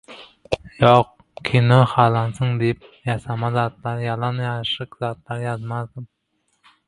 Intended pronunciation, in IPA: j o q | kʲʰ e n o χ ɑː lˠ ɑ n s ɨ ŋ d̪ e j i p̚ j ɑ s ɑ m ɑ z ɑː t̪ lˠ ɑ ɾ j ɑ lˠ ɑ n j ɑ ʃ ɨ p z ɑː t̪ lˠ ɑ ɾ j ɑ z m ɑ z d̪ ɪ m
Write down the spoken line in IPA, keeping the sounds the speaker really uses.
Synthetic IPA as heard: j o q | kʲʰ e n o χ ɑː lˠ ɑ n s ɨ ŋ d̪ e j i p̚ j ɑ s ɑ m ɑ z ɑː t̪ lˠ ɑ ɾ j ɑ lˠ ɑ n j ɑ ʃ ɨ q z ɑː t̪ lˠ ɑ ɾ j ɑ z m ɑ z d̪ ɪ m